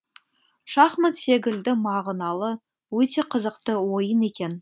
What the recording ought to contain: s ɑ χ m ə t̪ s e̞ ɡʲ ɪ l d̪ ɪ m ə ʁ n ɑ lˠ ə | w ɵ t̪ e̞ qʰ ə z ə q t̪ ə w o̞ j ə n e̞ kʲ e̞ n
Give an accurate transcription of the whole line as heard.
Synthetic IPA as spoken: ʃ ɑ χ m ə t̪ s e̞ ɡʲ ɪ l d̪ ɪ m ɑ ʁ n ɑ lˠ ə | w ɵ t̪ e̞ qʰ ə z ə q t̪ ə w o̞ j ə n e̞ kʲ e̞ n